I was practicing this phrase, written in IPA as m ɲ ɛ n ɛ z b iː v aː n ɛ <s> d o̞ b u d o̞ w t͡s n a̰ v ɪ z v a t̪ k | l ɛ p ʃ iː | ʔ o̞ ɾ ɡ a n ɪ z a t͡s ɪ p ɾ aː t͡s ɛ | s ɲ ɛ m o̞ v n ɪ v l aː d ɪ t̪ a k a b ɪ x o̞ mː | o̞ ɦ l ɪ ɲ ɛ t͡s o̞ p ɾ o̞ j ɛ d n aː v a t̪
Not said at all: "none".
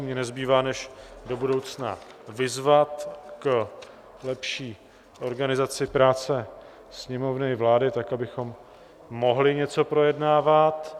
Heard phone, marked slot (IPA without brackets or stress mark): ʃ